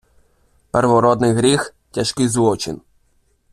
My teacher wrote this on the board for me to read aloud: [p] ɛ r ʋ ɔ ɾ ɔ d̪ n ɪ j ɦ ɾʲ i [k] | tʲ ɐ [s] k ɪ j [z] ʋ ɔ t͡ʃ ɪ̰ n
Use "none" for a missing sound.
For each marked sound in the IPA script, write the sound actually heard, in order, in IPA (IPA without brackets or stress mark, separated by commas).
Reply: p, x, ʃ, z